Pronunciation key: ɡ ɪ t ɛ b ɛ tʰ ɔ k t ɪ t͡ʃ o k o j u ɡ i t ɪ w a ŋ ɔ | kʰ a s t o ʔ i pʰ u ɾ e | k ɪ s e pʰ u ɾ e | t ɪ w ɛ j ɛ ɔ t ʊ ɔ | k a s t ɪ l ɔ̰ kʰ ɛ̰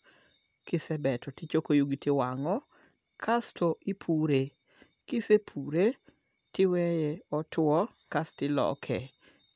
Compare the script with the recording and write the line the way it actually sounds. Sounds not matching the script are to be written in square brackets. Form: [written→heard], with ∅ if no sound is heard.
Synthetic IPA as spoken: [ɡ→k] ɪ [t→s] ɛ b ɛ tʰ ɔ [k→∅] t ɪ t͡ʃ o k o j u ɡ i t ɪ w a ŋ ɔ | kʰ a s t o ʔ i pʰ u ɾ e | k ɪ s e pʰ u ɾ e | t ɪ w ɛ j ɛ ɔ t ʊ ɔ | k a s t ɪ l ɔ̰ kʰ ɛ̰